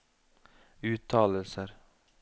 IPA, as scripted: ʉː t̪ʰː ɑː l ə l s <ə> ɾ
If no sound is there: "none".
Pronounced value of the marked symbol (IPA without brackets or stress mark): ə